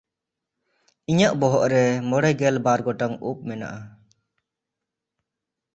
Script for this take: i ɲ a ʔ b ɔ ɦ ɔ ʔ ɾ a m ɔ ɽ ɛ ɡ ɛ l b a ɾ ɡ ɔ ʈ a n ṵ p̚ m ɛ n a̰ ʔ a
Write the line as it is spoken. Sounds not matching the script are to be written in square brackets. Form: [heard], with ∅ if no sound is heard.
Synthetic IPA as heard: i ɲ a ʔ b ɔ ɦ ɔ ʔ ɾ [ɛ] m ɔ ɽ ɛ ɡ ɛ l b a ɾ ɡ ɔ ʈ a [ŋ] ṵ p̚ m ɛ n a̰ ʔ a